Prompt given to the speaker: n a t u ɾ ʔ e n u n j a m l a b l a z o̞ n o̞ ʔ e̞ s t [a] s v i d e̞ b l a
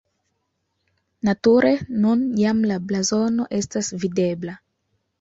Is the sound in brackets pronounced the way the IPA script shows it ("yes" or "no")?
yes